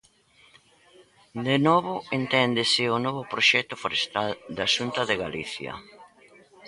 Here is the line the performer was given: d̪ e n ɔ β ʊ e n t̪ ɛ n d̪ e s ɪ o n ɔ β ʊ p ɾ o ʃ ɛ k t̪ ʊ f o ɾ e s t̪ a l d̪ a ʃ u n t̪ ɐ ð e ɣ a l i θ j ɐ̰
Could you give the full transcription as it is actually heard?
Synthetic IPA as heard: d̪ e n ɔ β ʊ e n t̪ ɛ n d̪ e s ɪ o n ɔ β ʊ p ɾ o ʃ ɛ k t̪ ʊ f o ɾ e s t̪ a l d̪ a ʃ u n t̪ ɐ ð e ɣ a l i θ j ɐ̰